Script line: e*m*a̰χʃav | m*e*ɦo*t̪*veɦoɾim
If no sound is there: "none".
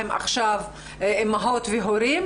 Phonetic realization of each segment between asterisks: m, a, t̪

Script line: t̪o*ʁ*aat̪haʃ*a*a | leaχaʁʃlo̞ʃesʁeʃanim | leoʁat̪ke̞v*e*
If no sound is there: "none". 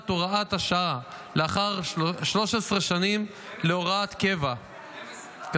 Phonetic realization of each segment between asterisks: ʁ, a, a

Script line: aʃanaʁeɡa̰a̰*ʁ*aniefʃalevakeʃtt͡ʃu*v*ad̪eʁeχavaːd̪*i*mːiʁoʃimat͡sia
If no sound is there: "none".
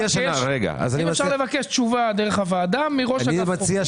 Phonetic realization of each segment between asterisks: z, v, a

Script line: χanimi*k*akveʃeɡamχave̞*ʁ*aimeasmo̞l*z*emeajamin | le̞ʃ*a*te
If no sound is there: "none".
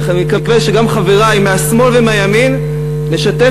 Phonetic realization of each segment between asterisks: k, ʁ, v, a

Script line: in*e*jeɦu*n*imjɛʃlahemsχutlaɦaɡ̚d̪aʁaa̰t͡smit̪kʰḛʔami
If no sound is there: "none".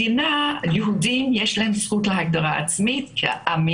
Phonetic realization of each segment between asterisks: a, d

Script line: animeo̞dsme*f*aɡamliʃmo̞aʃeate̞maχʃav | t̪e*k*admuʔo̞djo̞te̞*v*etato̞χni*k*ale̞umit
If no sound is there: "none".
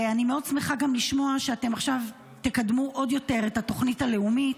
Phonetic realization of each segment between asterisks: χ, k, ʁ, t

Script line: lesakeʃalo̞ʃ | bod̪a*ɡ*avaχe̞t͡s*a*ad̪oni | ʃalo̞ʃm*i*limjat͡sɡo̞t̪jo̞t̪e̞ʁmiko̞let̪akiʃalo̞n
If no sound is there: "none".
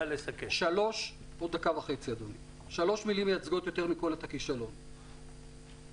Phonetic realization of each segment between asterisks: k, i, i

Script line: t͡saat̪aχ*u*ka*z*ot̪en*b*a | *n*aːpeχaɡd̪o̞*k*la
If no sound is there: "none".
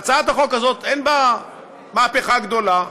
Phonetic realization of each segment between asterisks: o, z, b, m, none

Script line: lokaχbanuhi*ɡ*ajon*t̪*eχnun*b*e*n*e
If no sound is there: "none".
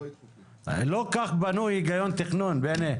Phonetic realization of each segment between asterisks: ɡ, t̪, b, n

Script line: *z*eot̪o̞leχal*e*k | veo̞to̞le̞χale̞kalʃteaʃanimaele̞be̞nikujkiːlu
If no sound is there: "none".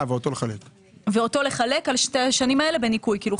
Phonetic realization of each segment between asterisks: v, e

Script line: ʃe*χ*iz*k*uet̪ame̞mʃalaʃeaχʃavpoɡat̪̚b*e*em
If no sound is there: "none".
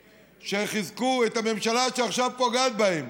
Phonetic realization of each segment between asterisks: χ, k, a

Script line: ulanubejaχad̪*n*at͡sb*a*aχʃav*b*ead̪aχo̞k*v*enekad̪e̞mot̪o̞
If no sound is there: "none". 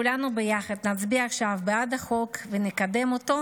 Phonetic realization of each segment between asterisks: n, i, b, v

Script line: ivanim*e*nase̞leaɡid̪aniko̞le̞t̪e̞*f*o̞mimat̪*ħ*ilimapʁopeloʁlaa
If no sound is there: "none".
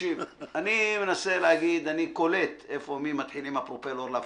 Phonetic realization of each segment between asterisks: e, f, ħ

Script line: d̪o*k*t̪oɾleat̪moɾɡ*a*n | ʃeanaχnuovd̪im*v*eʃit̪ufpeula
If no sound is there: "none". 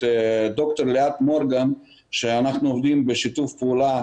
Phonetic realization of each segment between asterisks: k, a, b

